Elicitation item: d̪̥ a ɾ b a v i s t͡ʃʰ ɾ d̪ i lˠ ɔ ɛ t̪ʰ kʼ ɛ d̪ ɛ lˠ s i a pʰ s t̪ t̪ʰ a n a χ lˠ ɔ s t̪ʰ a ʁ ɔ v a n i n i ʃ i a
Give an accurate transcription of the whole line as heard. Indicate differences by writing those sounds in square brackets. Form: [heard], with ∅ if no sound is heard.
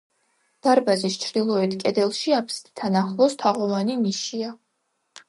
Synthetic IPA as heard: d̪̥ a ɾ b a [z] i s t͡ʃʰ ɾ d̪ i lˠ ɔ ɛ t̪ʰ kʼ ɛ d̪ ɛ lˠ [ʃ] i a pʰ s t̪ t̪ʰ a n a χ lˠ ɔ s t̪ʰ a ʁ ɔ v a n i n i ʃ i a